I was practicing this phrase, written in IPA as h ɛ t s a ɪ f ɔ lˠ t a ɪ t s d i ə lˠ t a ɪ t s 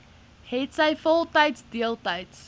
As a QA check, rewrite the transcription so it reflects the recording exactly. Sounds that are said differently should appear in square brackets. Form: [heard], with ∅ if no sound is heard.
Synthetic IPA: h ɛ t s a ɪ f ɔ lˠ t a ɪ t s d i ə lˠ t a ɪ t s